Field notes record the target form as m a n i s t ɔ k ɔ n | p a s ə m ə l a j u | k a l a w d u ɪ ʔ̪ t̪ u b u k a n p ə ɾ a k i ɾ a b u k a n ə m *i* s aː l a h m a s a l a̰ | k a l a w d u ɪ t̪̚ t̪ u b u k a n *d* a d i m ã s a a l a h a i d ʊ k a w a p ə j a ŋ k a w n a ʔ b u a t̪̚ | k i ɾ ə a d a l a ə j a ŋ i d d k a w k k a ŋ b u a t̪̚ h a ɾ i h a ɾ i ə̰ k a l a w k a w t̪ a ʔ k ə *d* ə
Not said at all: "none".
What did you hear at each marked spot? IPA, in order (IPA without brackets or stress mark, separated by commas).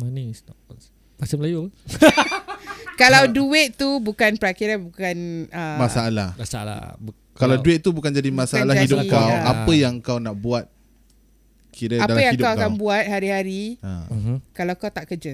a, d͡ʒ, d͡ʒ